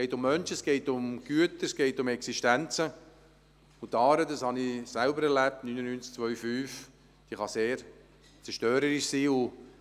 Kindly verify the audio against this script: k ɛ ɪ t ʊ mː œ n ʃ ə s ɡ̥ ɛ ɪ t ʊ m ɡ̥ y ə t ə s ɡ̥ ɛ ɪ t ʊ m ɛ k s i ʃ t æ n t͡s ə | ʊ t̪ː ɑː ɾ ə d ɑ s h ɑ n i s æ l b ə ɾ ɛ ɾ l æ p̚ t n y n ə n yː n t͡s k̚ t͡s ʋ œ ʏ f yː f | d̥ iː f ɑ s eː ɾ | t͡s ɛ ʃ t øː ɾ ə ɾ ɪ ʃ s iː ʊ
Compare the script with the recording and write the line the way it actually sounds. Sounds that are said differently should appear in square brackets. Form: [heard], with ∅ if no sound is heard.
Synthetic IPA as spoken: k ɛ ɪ t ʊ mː œ n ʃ ə s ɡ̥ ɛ ɪ t ʊ m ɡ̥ y ə t ə s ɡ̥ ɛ ɪ t ʊ m ɛ k s i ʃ t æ n t͡s ə | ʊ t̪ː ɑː ɾ ə d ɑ s h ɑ n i s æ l b ə ɾ ɛ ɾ l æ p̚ t n y n ə n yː n t͡s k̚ t͡s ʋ œ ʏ f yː f | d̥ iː [χ] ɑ s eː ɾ | t͡s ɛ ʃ t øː ɾ ə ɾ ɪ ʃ s iː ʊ